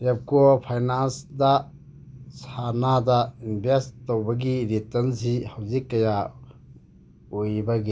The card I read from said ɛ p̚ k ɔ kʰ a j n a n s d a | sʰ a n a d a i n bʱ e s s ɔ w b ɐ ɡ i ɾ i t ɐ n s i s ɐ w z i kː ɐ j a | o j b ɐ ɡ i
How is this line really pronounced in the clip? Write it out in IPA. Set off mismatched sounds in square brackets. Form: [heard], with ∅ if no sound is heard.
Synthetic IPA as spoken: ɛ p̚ k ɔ [pʰ] a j n a n s d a | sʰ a n a d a i n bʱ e s [t] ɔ w b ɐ ɡ i ɾ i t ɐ n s i [h] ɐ w z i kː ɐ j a | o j b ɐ ɡ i

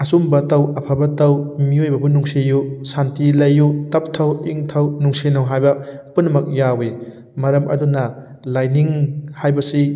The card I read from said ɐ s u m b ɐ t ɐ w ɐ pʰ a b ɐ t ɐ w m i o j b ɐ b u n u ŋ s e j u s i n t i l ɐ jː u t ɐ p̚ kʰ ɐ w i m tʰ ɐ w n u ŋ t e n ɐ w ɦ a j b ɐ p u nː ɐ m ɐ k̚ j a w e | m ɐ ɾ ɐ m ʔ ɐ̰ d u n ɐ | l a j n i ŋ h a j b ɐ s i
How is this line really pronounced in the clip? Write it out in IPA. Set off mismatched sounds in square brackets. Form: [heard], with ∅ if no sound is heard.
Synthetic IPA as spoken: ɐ s u m b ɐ t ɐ w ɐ pʰ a b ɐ t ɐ w m i o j b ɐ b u n u ŋ s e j u s [a] n t i l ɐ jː u t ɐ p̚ [tʰ] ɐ w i [ŋ] tʰ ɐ w n u ŋ [s] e n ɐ w ɦ a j b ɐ p u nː ɐ m ɐ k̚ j a w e | m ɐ ɾ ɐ m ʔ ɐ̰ d u n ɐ | l a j n i ŋ h a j b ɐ s i

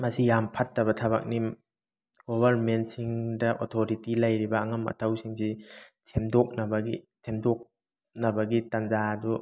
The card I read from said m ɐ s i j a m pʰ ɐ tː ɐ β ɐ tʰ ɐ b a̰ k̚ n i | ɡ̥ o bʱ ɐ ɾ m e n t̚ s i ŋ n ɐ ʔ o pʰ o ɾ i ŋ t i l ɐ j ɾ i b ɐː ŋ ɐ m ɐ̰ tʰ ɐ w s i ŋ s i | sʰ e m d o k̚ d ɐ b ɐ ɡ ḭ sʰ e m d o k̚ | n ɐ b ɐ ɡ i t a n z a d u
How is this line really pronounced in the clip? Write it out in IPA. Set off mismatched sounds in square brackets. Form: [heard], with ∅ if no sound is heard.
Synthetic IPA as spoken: m ɐ s i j a m pʰ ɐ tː ɐ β ɐ tʰ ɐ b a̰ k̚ n i | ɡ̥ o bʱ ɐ ɾ m e n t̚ s i ŋ [d] ɐ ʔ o [tʰ] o ɾ i [∅] t i l ɐ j ɾ i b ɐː ŋ ɐ m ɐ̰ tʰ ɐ w s i ŋ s i | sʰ e m d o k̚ [n] ɐ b ɐ ɡ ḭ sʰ e m d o k̚ | n ɐ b ɐ ɡ i t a n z a d u

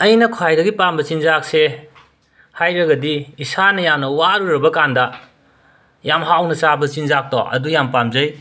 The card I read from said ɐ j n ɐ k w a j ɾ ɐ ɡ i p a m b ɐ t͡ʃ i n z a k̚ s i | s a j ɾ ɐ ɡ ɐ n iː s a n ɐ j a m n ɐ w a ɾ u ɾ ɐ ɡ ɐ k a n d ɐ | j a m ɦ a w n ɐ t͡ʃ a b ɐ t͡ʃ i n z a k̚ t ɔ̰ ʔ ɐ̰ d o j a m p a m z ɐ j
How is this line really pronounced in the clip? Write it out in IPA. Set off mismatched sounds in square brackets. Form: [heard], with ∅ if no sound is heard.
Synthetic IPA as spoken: ɐ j n ɐ [kʰ] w a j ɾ ɐ ɡ i p a m b ɐ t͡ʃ i n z a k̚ s [e] | [h] a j ɾ ɐ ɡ ɐ [d] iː s a n ɐ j a m n ɐ w a ɾ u ɾ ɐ [b] ɐ k a n d ɐ | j a m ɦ a w n ɐ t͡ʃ a b ɐ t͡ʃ i n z a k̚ t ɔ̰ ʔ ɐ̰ d [u] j a m p a m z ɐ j

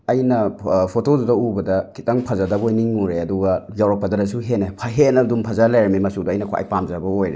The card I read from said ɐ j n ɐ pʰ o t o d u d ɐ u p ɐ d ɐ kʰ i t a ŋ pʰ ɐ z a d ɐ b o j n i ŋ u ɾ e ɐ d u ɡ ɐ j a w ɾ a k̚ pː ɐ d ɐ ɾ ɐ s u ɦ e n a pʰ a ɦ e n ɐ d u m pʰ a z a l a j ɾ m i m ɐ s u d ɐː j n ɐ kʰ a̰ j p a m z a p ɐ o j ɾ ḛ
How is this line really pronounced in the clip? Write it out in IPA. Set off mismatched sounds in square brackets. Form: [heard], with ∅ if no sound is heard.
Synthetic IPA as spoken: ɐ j n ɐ pʰ o t o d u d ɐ u [b] ɐ d ɐ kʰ i t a ŋ pʰ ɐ z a d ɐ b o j n i ŋ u ɾ e ɐ d u ɡ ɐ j a w ɾ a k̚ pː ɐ d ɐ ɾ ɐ s u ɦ e n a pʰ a ɦ e n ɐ d u m pʰ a z a l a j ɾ m i m ɐ s u d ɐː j n ɐ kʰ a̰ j p a m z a [b] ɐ o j ɾ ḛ

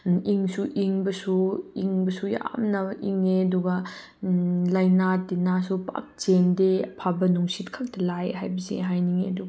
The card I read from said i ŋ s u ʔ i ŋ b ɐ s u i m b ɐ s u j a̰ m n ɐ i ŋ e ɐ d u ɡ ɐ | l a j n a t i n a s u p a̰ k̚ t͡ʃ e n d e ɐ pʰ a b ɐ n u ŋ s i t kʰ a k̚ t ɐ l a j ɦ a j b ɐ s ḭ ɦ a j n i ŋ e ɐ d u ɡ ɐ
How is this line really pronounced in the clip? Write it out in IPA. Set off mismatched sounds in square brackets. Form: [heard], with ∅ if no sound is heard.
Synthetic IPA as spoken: i ŋ s u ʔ i ŋ b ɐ s u i [ŋ] b ɐ s u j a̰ m n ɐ i ŋ e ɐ d u ɡ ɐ | l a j n a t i n a s u p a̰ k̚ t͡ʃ e n d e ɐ pʰ a b ɐ n u ŋ s i t kʰ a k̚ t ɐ l a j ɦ a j b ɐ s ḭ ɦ a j n i ŋ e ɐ d u ɡ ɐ

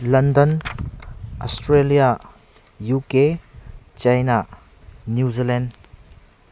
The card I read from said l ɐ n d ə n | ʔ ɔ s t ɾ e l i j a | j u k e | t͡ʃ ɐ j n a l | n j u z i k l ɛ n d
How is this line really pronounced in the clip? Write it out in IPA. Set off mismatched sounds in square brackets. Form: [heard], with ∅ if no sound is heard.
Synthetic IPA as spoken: l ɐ n d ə n | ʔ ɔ s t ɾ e l i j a | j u k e | t͡ʃ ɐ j n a [∅] | n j u z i [∅] l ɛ n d

